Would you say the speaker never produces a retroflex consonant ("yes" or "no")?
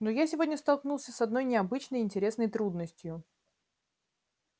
yes